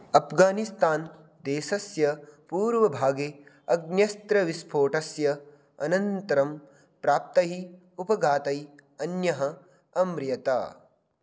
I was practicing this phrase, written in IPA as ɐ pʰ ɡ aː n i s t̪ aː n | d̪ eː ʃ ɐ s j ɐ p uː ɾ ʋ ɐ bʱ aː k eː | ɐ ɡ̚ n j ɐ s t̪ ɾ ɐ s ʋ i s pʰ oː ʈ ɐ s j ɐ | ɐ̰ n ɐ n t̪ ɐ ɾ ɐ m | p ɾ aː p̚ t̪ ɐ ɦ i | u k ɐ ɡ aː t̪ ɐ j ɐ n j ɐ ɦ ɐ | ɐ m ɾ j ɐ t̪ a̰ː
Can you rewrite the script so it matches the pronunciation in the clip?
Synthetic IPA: ɐ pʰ ɡ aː n i s t̪ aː n | d̪ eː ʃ ɐ s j ɐ p uː ɾ ʋ ɐ bʱ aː ɡ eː | ɐ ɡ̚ n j ɐ s t̪ ɾ ɐ ʋ i s pʰ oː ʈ ɐ s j ɐ | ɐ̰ n ɐ n t̪ ɐ ɾ ɐ m | p ɾ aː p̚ t̪ ɐ ɦ i | u p ɐ ɡ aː t̪ ɐ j ɐ n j ɐ ɦ ɐ | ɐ m ɾ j ɐ t̪ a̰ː